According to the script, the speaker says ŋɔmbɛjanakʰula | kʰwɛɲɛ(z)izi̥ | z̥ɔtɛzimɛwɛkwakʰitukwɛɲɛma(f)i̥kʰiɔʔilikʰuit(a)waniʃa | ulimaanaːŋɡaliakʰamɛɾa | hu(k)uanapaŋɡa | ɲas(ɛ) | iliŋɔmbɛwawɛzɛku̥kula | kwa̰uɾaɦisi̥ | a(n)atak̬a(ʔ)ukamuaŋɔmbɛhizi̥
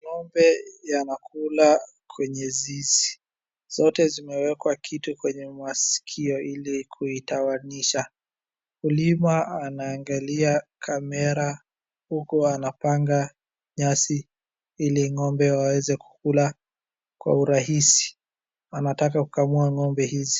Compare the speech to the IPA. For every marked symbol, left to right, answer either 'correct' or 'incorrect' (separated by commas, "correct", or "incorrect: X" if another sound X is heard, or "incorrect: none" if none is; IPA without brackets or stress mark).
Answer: correct, incorrect: s, correct, correct, incorrect: i, correct, incorrect: k